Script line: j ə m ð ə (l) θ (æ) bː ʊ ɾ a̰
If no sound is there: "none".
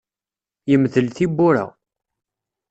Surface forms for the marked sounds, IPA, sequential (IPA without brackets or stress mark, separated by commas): l, i